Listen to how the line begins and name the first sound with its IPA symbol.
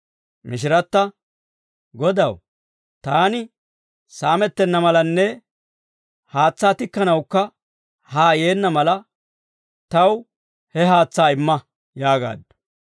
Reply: m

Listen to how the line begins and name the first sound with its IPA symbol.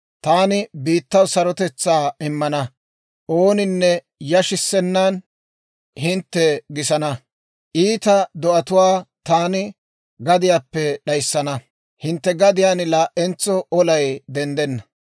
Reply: t̪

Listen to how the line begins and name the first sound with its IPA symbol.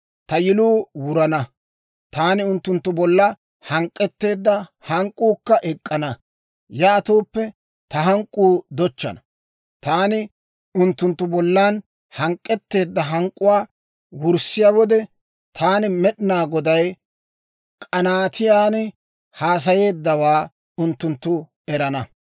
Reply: t̪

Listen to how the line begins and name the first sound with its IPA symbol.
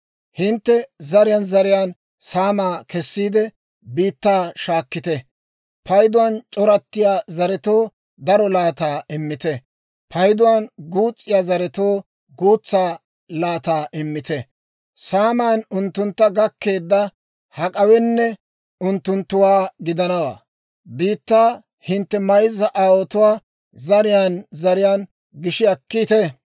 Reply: h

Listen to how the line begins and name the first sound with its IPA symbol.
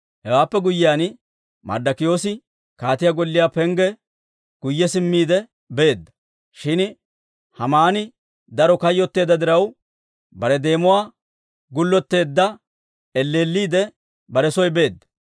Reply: h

